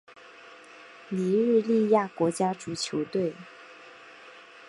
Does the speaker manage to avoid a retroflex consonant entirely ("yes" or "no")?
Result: no